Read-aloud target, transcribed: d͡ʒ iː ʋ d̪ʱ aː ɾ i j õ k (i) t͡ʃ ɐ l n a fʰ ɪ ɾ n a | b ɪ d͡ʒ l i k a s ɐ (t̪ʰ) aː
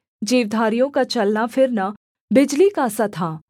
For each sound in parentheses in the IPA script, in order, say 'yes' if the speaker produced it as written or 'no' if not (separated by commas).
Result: no, yes